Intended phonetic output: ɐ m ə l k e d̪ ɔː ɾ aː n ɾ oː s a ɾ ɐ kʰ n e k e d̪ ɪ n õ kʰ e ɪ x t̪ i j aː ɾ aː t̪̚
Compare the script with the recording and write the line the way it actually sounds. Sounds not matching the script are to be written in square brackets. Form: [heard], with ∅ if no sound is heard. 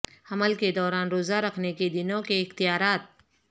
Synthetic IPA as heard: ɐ m ə l k e d̪ ɔː ɾ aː n ɾ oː [z] a ɾ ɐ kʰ n e k e d̪ ɪ n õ [k] e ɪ x t̪ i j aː ɾ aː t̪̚